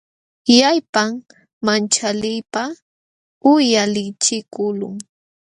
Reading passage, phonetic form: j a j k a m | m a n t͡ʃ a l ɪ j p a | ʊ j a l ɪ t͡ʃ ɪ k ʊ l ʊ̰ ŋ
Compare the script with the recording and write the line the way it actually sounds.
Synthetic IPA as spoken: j a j p a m | m a n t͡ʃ a l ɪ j p a | ʊ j a l ɪ t͡ʃ ɪ k ʊ l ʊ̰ ŋ